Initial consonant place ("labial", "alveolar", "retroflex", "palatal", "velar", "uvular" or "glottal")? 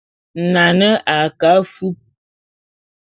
alveolar